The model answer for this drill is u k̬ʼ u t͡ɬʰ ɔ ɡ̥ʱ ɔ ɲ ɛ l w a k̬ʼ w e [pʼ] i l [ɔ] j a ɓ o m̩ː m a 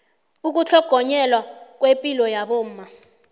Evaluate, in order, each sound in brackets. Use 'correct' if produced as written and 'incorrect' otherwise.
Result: correct, correct

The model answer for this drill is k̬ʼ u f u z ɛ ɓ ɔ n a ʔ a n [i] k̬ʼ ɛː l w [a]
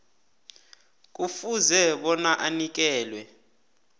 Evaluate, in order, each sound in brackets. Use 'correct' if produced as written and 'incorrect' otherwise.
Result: correct, incorrect: ɛ

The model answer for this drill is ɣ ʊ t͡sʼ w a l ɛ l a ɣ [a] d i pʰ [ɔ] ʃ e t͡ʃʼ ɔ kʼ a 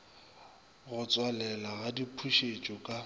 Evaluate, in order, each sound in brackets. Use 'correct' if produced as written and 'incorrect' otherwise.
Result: correct, incorrect: u

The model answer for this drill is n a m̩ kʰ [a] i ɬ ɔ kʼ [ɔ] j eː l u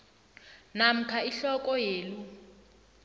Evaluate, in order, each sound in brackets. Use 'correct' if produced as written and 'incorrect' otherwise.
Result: correct, correct

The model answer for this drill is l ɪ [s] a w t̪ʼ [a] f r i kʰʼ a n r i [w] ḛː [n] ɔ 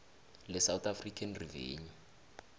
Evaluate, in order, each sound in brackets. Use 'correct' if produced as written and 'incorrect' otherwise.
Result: correct, correct, incorrect: v, incorrect: ɲ

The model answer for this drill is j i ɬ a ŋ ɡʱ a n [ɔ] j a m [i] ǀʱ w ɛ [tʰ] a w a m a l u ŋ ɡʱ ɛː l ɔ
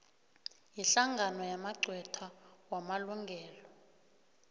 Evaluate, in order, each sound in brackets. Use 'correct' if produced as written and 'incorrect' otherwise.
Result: correct, incorrect: a, correct

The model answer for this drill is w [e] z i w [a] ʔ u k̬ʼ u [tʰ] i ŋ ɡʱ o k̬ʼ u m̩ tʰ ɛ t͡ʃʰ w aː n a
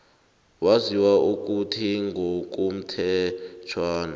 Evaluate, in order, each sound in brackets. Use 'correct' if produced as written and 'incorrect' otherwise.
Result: incorrect: a, correct, correct

